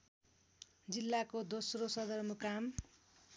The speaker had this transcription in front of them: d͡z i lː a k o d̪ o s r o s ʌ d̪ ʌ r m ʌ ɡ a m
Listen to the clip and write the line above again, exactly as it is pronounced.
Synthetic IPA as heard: d͡z i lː a k o d̪ o s r o s ʌ d̪ ʌ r m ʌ k a m